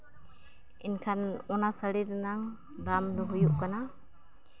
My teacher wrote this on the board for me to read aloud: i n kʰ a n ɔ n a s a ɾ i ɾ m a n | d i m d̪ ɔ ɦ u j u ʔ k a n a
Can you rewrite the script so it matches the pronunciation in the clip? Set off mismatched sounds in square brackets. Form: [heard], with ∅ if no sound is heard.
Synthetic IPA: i n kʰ a n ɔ n a s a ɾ i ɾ [n] a [ŋ] | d [a] m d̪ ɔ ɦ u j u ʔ k a n a